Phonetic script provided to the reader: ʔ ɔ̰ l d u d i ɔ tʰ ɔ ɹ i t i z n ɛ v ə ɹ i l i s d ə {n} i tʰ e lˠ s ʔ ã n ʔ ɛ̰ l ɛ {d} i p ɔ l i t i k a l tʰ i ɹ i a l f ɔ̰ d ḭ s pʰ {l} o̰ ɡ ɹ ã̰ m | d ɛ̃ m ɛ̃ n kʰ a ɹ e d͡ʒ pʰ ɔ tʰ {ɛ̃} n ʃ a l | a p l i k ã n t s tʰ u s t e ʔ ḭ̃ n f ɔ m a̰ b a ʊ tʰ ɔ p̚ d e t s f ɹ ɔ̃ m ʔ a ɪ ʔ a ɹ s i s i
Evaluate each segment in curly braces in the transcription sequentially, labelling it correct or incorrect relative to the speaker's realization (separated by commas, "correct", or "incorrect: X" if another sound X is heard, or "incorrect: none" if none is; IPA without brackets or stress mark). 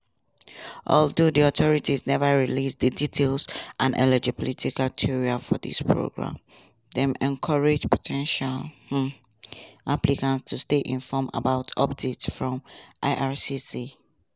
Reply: incorrect: d, incorrect: d͡ʒ, incorrect: ɹ, correct